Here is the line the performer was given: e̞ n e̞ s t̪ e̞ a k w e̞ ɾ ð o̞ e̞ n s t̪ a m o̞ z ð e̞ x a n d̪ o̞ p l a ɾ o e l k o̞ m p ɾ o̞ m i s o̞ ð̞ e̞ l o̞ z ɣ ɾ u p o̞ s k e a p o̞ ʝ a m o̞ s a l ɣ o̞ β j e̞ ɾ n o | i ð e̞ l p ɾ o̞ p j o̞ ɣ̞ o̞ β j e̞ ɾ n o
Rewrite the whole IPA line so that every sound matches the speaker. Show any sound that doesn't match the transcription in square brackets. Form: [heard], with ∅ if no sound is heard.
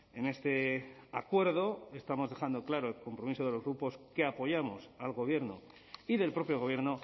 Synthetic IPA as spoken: e̞ n e̞ s t̪ e̞ a k w e̞ ɾ ð o̞ e̞ [∅] s t̪ a m o̞ z ð e̞ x a n d̪ o̞ [k] l a ɾ o e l k o̞ m p ɾ o̞ m i s o̞ ð̞ e̞ l o̞ z ɣ ɾ u p o̞ s k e a p o̞ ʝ a m o̞ s a l ɣ o̞ β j e̞ ɾ n o | i ð e̞ l p ɾ o̞ p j o̞ ɣ̞ o̞ β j e̞ ɾ n o